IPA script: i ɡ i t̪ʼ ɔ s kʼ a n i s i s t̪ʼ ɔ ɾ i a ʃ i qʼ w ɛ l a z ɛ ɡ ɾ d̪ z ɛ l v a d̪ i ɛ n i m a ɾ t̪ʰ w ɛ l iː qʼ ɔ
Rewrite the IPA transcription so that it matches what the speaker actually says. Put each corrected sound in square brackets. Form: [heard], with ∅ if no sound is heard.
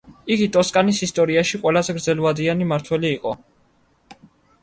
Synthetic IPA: i ɡ i t̪ʼ ɔ s kʼ a n i s i s t̪ʼ ɔ ɾ i a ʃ i qʼ w ɛ l a z ɛ ɡ ɾ d̪ z ɛ l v a d̪ i [a] n i m a ɾ t̪ʰ w ɛ l iː qʼ ɔ